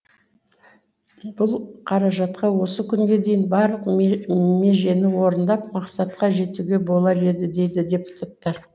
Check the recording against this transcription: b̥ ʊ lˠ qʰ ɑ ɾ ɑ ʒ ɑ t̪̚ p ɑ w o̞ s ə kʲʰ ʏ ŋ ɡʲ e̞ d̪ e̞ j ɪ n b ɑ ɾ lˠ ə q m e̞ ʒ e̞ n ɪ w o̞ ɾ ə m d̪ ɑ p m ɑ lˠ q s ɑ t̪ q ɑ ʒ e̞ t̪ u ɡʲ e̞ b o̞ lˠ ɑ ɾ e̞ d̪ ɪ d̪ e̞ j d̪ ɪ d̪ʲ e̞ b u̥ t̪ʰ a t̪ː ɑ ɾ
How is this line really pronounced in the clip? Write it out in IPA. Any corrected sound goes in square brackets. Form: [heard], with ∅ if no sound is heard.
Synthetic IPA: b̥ ʊ lˠ qʰ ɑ ɾ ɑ ʒ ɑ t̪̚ [q] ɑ w o̞ s ə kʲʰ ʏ ŋ ɡʲ e̞ d̪ e̞ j ɪ n b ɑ ɾ lˠ ə q m e̞ ʒ e̞ n ɪ w o̞ ɾ ə [n] d̪ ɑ p m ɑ [∅] q s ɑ t̪ q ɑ ʒ e̞ t̪ u ɡʲ e̞ b o̞ lˠ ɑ ɾ e̞ d̪ ɪ d̪ e̞ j d̪ ɪ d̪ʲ e̞ [p] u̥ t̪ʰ a t̪ː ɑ ɾ